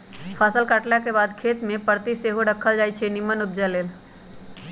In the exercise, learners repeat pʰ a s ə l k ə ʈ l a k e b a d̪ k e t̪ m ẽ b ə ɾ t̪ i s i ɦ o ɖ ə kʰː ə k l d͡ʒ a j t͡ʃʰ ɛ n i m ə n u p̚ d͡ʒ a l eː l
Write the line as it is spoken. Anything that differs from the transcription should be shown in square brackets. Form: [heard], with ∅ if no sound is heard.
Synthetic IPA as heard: pʰ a s ə l k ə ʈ l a k e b a d̪ [kʰ] e t̪ m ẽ [p] ə ɾ t̪ i s [e] ɦ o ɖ ə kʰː ə [∅] l d͡ʒ a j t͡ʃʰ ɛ n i m ə n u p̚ d͡ʒ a l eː l